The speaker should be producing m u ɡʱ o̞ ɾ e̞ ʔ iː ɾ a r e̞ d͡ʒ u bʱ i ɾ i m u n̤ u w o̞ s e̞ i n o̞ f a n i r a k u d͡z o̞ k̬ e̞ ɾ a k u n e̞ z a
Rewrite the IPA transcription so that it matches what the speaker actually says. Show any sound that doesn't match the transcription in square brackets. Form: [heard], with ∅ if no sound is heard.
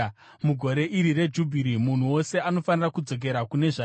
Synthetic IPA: m u ɡʱ o̞ ɾ e̞ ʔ [i] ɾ [i] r e̞ d͡ʒ u bʱ i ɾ i m u n̤ u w o̞ s e̞ [a] n o̞ f a n i r a k u d͡z o̞ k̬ e̞ ɾ a k u n e̞ [ʐ] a